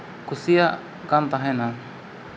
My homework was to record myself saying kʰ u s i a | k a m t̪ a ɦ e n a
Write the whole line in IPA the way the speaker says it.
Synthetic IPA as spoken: k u s i a | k a n t̪ a ɦ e n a